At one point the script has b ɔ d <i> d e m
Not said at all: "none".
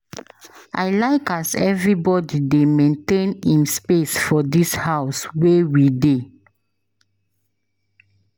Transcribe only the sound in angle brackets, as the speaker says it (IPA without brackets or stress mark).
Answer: i